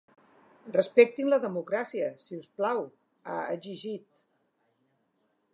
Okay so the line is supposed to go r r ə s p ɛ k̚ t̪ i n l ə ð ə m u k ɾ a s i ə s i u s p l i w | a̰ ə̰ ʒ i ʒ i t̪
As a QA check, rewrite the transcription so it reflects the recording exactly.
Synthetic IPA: r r ə s p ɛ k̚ t̪ i n l ə ð ə m u k ɾ a s i ə s i u s p l a w | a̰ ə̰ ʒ i ʒ i t̪